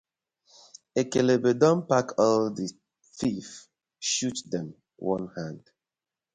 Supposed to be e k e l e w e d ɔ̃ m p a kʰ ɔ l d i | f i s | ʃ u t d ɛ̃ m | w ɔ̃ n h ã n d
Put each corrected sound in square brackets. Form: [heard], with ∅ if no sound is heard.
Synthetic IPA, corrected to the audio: e k e l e [b] e d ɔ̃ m p a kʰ ɔ l d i | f i [f] | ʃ u t d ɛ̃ m | w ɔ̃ n h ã n d